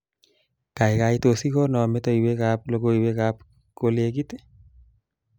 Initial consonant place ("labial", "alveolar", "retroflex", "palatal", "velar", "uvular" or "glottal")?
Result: velar